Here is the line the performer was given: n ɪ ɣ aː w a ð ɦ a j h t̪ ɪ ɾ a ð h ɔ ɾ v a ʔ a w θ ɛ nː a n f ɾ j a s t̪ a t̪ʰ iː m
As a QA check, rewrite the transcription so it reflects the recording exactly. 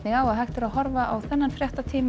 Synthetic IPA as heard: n ɪ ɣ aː w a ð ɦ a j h t̪ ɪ ɾ a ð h ɔ ɾ v a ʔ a w θ ɛ nː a n f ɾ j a h t̪ a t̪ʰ iː m